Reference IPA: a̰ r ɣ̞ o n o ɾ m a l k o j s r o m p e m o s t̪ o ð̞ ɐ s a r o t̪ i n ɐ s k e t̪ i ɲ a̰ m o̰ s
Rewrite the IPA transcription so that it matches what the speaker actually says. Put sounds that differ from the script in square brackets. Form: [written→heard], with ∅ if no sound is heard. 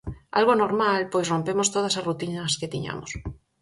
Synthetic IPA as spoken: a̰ [r→l] ɣ̞ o n o ɾ m a l [k→p] o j s r o m p e m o s t̪ o ð̞ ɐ s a r [o→u] t̪ i n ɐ s k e t̪ i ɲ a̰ m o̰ s